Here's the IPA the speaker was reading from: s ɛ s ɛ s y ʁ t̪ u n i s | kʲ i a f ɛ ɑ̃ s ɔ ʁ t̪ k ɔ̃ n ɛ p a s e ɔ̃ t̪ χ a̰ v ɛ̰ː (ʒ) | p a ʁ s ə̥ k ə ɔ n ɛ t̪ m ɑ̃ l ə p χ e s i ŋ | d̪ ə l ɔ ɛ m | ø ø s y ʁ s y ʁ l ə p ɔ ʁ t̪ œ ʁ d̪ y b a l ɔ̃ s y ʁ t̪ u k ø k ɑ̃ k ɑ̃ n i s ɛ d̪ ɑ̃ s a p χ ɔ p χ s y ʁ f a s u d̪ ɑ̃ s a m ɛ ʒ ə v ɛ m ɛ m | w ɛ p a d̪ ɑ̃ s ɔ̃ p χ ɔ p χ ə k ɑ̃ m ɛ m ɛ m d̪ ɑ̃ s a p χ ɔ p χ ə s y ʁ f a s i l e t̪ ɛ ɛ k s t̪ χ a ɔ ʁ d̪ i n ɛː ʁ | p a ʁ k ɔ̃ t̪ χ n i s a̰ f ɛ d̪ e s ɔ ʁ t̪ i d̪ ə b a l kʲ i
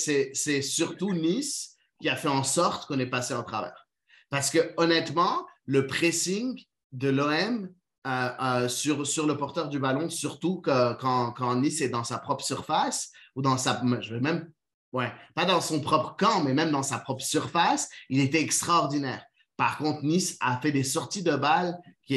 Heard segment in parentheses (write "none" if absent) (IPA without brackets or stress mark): ʁ